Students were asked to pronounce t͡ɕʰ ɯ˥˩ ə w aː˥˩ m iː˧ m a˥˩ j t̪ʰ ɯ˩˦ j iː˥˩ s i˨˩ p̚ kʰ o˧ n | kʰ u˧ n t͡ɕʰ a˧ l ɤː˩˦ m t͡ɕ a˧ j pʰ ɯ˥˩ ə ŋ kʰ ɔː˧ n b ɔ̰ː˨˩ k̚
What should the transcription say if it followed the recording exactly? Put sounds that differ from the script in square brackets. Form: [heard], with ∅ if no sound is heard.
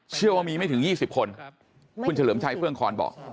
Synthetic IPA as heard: t͡ɕʰ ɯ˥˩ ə w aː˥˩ m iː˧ m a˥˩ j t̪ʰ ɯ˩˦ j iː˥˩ s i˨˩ p̚ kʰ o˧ n | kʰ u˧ n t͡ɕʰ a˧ l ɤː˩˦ m [t͡ɕʰ] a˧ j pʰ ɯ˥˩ ə ŋ kʰ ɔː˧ n b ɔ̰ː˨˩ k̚